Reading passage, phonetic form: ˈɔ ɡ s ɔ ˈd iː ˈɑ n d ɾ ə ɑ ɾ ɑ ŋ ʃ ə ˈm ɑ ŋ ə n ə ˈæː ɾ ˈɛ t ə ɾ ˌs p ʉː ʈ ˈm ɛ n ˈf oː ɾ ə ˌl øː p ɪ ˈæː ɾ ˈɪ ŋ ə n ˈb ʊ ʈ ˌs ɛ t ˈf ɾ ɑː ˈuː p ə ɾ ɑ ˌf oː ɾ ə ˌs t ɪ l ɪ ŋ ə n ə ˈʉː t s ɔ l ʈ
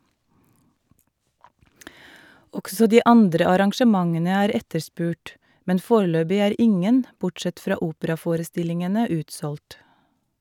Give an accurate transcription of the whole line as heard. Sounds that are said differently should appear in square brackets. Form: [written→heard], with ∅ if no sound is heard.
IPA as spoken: ˈɔ ɡ s ɔ ˈd iː ˈɑ n d ɾ ə ɑ ɾ ɑ ŋ ʃ ə ˈm ɑ ŋ ə n ə ˈæː ɾ ˈɛ t ə ɾ ˌs p ʉː ʈ ˈm ɛ n ˈf oː ɾ ə ˌl øː [p→b] ɪ ˈæː ɾ ˈɪ ŋ ə n ˈb ʊ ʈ ˌs ɛ t ˈf ɾ ɑː ˈuː p ə ɾ ɑ ˌf oː ɾ ə ˌs t ɪ l ɪ ŋ ə n ə ˈʉː t s ɔ l ʈ